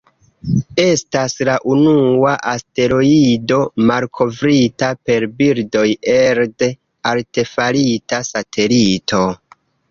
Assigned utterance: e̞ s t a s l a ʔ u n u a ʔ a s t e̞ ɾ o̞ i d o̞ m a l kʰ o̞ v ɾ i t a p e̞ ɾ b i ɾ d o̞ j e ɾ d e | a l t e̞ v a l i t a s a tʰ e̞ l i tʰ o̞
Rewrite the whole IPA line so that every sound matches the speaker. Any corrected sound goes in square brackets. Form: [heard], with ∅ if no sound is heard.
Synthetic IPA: e̞ s t a s l a ʔ u n u a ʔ a s t e̞ ɾ o̞ i d o̞ m a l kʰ o̞ v ɾ i t a p e̞ ɾ b i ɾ d o̞ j e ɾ d e | a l t e̞ [f] a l i t a s a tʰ e̞ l i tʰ o̞